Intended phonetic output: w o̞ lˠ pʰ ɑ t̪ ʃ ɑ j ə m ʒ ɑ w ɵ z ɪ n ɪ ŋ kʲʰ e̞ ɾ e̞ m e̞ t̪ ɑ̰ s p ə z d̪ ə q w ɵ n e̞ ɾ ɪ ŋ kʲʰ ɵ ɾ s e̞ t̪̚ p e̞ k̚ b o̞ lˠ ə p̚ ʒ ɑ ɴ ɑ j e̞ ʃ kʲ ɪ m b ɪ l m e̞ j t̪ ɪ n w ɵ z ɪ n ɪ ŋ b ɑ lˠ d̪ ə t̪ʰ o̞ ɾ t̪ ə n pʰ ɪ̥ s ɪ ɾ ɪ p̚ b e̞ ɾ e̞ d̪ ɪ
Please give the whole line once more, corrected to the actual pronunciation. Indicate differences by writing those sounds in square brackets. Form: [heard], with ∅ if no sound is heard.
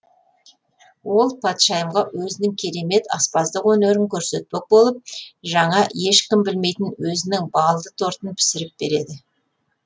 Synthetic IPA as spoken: w o̞ lˠ pʰ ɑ t̪ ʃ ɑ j ə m [ʁ] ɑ w ɵ z ɪ n ɪ ŋ kʲʰ e̞ ɾ e̞ m e̞ t̪ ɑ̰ s p [ɑ] z d̪ ə q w ɵ n e̞ ɾ ɪ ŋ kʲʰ ɵ ɾ s e̞ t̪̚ p e̞ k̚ b o̞ lˠ ə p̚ ʒ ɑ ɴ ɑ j e̞ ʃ kʲ ɪ m b ɪ l m e̞ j t̪ ɪ n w ɵ z ɪ n ɪ ŋ b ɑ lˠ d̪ ə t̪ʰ o̞ ɾ t̪ ə n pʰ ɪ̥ s ɪ ɾ ɪ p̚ b e̞ ɾ e̞ d̪ ɪ